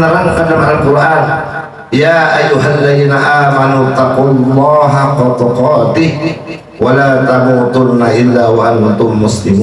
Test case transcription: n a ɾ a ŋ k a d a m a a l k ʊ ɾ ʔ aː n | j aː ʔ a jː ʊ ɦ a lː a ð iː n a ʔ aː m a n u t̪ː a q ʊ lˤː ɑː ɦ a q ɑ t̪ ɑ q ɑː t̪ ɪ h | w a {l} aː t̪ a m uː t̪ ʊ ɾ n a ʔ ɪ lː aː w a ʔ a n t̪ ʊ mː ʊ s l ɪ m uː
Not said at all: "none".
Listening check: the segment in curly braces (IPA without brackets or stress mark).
l